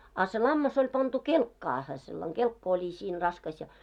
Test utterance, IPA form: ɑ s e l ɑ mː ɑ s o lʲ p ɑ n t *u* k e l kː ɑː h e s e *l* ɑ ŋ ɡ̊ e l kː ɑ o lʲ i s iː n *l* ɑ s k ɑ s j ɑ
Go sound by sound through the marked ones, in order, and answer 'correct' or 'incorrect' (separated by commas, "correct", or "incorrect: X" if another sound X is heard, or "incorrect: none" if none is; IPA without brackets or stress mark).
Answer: correct, incorrect: lː, incorrect: r